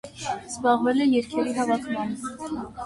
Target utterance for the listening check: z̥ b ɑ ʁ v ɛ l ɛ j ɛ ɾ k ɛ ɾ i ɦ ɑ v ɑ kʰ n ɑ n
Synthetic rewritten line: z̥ b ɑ ʁ v ɛ l ɛ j ɛ ɾ kʰ ɛ ɾ i ɦ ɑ v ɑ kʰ m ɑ n